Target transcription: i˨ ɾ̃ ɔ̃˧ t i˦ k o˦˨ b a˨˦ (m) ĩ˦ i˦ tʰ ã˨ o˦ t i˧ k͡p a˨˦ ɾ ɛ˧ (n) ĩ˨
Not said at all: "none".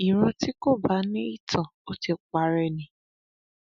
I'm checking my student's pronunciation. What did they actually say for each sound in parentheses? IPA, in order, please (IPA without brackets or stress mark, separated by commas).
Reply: n, n